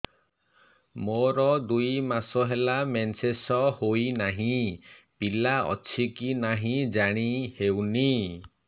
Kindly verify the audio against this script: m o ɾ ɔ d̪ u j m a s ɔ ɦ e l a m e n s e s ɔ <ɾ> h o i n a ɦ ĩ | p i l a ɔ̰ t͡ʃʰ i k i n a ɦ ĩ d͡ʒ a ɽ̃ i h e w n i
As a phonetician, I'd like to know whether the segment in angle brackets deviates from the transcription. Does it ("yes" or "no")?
yes